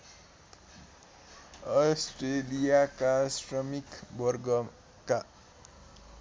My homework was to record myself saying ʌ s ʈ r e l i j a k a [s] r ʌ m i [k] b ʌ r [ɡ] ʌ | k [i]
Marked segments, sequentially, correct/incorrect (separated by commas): correct, correct, correct, incorrect